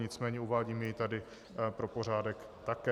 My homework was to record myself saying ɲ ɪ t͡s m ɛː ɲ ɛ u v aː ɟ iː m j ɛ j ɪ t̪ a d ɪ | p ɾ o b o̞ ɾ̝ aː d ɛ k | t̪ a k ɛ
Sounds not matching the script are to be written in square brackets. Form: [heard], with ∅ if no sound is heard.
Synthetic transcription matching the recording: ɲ ɪ t͡s m ɛː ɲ ɛ u v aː ɟ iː m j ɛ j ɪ t̪ a d ɪ | p ɾ o [p] o̞ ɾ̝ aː d ɛ k | t̪ a k ɛ